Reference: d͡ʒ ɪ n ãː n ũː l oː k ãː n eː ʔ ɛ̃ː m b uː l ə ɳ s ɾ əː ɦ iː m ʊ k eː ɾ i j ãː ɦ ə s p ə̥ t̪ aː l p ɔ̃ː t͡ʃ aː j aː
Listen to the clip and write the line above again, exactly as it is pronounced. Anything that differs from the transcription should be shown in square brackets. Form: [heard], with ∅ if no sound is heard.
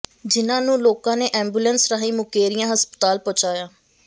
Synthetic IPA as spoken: d͡ʒ ɪ n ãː n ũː l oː k ãː n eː ʔ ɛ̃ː m b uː l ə [n] s ɾ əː ɦ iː m ʊ k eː ɾ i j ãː ɦ ə s p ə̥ t̪ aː l p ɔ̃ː t͡ʃ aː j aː